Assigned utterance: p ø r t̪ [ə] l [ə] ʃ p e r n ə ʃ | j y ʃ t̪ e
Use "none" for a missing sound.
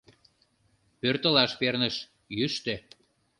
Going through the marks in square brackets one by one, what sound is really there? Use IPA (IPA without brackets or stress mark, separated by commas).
ə, ɑ